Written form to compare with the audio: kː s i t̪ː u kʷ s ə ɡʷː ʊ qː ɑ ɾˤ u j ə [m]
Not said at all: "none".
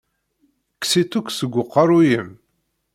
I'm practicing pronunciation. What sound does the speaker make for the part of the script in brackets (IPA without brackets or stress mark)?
m